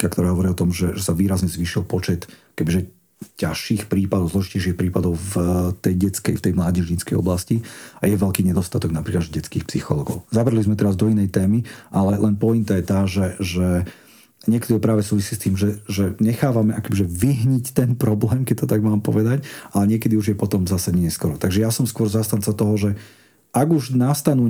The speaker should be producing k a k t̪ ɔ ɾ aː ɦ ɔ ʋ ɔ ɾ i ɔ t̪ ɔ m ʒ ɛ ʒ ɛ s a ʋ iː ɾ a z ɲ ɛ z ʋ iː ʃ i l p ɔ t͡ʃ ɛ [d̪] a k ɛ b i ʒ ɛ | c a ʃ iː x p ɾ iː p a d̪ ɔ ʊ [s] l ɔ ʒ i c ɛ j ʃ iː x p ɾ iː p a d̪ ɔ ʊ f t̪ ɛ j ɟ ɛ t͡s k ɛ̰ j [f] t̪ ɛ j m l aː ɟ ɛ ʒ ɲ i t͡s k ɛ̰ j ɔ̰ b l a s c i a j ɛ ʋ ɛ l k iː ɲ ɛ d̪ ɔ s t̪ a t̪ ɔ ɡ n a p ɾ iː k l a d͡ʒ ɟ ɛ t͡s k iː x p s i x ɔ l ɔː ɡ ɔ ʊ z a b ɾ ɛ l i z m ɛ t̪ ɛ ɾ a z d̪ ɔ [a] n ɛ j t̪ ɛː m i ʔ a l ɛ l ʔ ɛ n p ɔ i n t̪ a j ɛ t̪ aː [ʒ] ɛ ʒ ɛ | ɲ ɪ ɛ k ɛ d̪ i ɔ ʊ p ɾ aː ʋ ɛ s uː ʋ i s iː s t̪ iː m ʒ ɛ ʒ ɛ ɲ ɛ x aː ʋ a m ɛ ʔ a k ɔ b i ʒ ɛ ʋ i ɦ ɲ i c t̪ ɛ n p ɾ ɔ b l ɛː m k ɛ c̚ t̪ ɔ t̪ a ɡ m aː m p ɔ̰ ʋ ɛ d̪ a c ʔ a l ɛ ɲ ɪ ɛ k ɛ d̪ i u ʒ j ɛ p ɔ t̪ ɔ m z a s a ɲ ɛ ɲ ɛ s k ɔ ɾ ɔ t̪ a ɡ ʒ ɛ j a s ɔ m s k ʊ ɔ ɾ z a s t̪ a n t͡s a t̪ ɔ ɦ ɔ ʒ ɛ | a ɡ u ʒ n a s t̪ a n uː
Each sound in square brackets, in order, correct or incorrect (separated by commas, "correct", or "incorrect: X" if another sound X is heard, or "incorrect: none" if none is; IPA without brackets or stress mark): incorrect: t̪, incorrect: z, correct, incorrect: i, correct